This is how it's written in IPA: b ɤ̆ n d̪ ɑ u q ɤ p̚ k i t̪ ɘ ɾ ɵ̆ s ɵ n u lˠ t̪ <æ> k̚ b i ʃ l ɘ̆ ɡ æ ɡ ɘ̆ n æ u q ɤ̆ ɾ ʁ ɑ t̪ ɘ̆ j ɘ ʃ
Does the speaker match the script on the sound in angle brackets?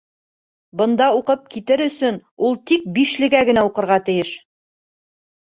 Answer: no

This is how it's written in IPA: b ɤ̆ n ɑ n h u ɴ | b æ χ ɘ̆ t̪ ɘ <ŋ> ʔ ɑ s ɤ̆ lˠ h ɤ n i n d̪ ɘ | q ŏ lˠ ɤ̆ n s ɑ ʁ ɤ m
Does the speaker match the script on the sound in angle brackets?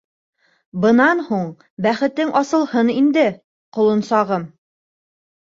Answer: yes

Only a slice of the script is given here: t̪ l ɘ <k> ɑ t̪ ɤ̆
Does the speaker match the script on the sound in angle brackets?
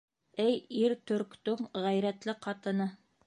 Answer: no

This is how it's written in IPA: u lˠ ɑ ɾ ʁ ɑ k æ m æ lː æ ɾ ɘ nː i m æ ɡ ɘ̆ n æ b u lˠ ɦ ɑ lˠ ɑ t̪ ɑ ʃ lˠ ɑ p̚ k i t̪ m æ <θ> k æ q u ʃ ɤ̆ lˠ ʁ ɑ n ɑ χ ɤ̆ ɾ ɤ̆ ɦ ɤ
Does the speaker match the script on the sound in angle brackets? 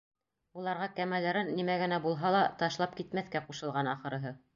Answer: yes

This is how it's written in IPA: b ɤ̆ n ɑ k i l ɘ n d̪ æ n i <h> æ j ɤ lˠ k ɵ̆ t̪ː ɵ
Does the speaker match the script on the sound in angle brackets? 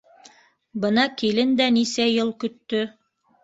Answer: no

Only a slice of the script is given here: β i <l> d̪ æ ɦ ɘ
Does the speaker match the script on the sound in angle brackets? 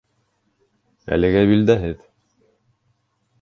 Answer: yes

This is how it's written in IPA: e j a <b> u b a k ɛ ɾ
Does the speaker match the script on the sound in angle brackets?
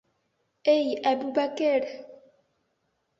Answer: yes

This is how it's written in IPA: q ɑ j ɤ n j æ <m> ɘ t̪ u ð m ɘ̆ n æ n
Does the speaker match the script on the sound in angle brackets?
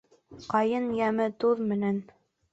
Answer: yes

